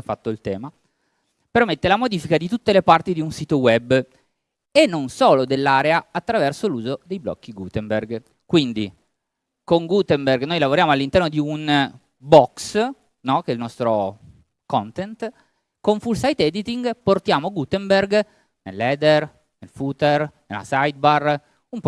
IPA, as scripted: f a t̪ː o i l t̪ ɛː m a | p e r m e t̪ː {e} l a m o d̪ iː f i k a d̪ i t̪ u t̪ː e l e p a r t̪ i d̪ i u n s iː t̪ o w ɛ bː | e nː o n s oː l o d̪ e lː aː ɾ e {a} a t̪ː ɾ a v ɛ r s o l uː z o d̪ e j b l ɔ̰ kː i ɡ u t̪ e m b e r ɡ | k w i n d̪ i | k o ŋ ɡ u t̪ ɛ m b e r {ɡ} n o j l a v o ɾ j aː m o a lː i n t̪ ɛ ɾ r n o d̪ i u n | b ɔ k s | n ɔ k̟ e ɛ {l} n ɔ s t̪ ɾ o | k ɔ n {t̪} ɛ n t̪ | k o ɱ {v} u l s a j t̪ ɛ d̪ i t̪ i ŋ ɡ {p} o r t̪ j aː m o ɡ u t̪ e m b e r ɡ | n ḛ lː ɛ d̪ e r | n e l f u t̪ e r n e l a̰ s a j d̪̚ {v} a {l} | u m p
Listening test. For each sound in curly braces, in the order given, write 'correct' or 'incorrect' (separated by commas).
correct, correct, correct, correct, correct, incorrect, correct, incorrect, incorrect